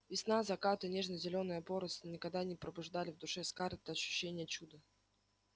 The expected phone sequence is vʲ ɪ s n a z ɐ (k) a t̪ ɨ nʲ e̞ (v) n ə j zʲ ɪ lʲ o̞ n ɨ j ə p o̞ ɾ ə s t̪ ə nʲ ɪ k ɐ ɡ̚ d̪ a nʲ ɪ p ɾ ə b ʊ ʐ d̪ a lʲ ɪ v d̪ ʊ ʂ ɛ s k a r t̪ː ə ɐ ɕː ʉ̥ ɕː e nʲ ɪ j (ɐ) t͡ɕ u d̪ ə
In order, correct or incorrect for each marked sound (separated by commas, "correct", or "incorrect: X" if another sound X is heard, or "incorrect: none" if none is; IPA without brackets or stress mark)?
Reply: correct, incorrect: ʐ, incorrect: ə